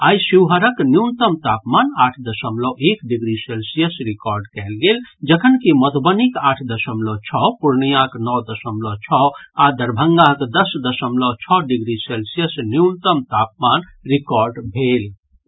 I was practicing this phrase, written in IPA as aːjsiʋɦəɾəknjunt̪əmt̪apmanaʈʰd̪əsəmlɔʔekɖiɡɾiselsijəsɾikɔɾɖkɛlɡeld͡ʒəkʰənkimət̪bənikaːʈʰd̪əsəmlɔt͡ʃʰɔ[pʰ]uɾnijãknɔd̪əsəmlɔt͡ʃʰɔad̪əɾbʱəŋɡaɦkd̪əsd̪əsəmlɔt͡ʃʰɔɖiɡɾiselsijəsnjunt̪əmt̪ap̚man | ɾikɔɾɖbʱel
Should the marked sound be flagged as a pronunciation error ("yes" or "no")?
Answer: yes